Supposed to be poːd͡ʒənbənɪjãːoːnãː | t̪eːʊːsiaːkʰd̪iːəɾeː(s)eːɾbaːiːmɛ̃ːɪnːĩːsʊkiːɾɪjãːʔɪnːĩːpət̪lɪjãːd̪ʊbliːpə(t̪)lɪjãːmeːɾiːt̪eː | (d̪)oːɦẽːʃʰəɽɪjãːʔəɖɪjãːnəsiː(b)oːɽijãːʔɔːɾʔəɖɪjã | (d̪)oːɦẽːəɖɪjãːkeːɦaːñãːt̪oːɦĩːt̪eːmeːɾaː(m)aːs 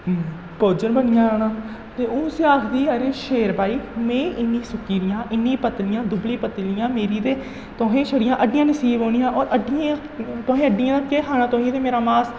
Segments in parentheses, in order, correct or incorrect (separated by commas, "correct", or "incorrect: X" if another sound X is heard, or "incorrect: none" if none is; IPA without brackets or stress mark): incorrect: ʃ, correct, incorrect: t̪, correct, incorrect: t̪, correct